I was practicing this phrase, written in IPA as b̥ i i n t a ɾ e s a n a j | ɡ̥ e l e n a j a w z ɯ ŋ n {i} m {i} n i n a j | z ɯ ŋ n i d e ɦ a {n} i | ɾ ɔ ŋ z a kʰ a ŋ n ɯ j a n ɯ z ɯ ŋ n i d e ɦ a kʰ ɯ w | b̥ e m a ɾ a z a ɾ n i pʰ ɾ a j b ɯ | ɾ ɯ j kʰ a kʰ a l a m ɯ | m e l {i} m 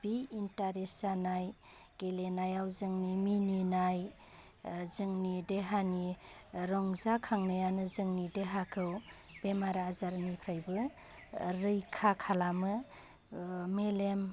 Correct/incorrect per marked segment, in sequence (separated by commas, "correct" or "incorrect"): correct, correct, correct, incorrect